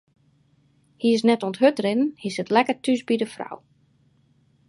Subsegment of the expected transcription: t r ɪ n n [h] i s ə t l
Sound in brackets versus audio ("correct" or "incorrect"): correct